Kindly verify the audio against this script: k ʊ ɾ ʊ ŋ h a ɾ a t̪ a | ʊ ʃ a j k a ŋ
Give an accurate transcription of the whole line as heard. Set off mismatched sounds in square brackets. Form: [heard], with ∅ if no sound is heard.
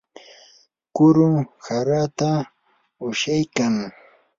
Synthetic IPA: k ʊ ɾ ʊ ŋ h a ɾ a t̪ a | ʊ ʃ a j k a ŋ